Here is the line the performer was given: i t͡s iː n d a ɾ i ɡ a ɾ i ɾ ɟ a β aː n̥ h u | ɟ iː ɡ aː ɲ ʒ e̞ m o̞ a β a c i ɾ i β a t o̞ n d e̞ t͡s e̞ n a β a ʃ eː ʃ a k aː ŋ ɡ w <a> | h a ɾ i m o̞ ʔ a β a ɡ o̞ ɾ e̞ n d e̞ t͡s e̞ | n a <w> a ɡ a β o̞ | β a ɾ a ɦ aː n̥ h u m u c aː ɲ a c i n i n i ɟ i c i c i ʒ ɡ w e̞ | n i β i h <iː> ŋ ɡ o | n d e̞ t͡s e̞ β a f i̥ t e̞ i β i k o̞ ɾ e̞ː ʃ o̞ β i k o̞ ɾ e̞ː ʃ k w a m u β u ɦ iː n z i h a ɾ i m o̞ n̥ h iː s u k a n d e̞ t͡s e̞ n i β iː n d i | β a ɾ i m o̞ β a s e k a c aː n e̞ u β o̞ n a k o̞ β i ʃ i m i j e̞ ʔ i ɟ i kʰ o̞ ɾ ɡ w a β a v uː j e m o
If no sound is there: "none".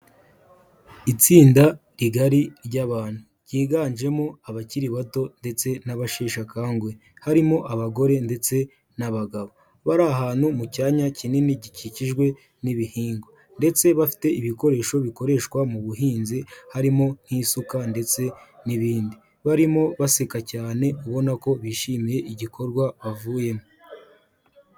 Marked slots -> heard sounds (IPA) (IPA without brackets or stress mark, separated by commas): e, β, iː